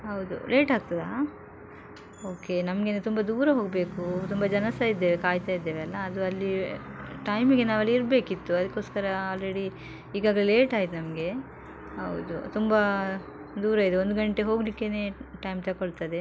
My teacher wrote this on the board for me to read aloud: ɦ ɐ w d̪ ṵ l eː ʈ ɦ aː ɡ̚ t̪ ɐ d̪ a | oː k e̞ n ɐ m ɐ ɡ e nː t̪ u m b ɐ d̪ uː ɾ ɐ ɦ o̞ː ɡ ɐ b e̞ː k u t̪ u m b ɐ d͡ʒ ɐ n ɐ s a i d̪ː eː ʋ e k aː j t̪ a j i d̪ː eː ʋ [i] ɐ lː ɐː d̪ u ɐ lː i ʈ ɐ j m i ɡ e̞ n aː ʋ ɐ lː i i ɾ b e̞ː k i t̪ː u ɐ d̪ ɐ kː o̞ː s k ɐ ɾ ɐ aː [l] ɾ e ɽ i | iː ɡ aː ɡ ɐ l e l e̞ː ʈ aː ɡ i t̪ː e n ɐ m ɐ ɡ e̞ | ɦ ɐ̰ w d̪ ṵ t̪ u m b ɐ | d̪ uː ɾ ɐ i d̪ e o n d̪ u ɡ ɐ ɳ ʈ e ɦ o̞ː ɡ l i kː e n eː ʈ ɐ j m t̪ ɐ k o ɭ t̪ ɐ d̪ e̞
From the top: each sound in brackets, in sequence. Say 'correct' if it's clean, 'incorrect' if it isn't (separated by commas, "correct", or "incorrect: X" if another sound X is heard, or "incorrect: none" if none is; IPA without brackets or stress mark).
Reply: incorrect: e, correct